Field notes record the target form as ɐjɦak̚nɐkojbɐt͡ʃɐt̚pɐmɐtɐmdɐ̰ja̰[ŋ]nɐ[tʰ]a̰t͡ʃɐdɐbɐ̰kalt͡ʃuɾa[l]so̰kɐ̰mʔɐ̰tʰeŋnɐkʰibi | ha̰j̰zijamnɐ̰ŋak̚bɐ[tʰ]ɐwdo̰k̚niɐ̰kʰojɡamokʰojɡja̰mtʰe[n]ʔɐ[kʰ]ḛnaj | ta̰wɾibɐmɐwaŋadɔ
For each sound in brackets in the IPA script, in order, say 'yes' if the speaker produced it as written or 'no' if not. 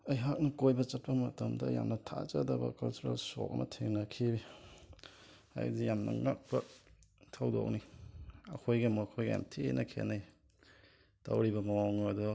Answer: no, yes, yes, yes, yes, yes

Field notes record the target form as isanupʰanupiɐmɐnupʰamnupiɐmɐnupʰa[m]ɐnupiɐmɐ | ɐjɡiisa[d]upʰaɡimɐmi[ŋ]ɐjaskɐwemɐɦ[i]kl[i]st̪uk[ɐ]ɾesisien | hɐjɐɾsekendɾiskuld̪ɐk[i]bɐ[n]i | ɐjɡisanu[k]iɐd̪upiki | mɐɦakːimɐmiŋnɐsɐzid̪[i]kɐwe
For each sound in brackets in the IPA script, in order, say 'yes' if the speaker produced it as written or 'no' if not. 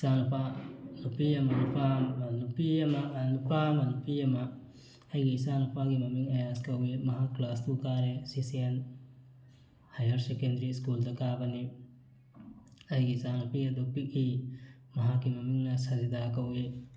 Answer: yes, no, yes, no, no, no, no, yes, no, no

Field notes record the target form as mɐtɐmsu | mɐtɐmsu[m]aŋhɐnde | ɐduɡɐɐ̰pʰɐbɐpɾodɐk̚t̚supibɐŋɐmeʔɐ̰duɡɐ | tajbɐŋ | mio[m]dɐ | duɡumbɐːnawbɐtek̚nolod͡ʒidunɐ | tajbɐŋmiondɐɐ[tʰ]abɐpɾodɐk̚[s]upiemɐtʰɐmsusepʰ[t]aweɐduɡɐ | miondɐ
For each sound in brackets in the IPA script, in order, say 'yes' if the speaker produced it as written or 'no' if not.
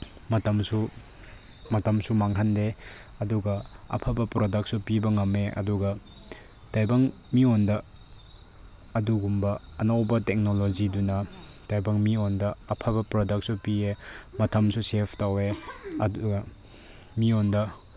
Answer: yes, no, no, yes, yes

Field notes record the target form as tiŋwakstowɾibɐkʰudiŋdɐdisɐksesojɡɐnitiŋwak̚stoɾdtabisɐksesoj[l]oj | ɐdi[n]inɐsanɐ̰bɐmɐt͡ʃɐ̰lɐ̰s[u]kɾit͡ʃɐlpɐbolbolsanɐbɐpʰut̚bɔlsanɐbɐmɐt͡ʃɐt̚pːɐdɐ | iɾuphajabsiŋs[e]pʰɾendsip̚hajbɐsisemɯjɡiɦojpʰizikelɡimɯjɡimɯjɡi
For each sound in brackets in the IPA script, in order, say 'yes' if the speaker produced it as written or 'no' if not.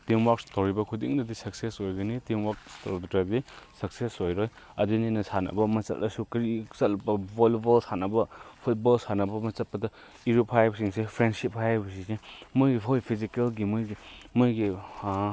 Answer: no, yes, yes, yes

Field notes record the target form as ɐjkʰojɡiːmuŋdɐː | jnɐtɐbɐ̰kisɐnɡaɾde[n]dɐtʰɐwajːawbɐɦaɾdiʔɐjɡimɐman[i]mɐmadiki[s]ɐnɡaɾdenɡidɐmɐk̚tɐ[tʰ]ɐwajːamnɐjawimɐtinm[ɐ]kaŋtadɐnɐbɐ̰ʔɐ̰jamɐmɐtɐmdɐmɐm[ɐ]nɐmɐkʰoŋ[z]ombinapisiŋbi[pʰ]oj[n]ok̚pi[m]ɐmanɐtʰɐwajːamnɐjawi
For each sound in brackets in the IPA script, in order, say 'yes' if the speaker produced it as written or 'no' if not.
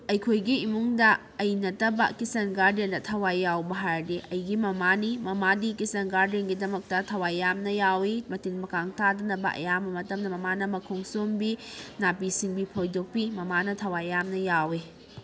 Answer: yes, yes, yes, yes, yes, no, no, yes, no, yes

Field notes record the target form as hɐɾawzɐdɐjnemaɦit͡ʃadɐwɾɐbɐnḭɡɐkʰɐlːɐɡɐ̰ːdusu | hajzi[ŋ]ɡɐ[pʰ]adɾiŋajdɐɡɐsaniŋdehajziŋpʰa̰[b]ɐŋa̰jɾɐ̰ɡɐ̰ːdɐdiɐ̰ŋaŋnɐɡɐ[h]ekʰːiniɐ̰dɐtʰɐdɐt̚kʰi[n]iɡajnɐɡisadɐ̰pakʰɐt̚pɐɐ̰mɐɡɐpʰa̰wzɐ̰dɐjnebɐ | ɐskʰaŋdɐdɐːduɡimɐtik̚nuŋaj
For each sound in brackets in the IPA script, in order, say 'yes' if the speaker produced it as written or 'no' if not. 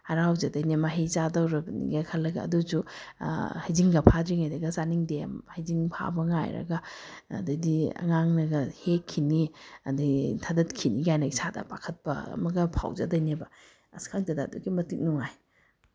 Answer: yes, yes, yes, yes, yes

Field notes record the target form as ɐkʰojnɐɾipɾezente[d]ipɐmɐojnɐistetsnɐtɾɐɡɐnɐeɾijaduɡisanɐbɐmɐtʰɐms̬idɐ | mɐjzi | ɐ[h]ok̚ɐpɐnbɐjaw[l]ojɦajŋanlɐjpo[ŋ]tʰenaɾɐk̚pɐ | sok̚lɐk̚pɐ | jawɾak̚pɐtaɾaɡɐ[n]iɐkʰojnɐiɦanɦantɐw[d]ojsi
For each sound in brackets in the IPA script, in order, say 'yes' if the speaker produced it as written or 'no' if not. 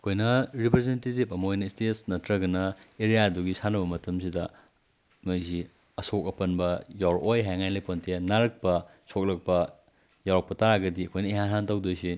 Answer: no, no, no, no, no, yes

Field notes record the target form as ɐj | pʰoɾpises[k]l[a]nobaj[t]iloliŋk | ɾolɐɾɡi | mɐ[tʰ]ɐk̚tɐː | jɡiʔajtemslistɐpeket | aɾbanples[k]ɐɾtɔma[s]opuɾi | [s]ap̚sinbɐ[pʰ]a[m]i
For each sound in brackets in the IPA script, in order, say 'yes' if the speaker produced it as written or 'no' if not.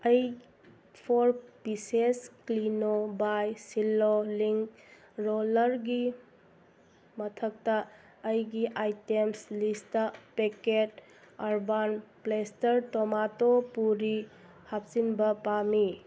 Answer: yes, no, no, yes, no, no, no, no, yes

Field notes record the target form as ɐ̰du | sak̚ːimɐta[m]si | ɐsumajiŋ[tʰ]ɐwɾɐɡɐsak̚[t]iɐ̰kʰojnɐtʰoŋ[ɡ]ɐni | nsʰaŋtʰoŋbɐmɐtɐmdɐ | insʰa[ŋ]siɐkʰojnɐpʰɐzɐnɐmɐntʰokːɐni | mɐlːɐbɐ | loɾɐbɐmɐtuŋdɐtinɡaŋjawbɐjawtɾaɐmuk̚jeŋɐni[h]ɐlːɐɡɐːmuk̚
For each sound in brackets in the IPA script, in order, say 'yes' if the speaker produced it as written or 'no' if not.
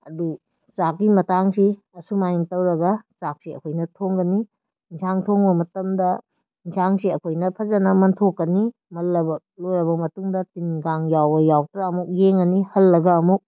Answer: no, no, no, yes, yes, yes

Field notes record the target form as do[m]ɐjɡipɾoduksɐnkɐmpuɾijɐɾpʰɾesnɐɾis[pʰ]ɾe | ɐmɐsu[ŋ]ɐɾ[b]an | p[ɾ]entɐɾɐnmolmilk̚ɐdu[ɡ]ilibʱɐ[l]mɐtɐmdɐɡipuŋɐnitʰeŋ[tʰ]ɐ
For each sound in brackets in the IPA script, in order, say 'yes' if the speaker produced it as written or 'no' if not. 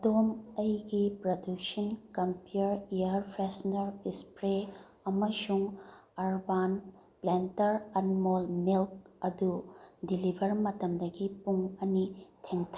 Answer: yes, no, yes, yes, no, no, no, yes

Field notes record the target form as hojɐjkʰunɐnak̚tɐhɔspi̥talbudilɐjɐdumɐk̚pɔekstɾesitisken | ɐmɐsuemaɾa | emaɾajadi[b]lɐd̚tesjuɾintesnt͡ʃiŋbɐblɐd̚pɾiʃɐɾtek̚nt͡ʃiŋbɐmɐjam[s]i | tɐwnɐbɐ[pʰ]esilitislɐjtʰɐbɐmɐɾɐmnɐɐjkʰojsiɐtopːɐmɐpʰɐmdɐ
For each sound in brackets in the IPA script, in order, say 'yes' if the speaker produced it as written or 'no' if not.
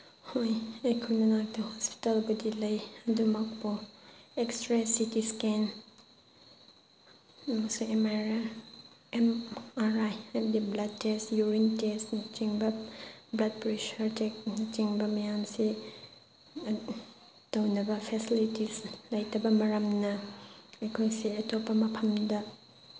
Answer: yes, yes, yes

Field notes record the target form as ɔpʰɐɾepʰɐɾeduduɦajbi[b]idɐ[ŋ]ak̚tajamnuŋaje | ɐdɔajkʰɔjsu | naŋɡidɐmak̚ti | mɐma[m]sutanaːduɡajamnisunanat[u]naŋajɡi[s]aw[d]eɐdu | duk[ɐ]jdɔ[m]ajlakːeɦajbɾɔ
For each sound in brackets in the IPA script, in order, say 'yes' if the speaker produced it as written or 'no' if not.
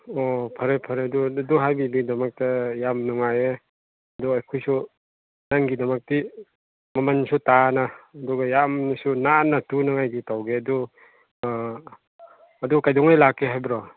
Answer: yes, no, no, yes, no, no, no, no

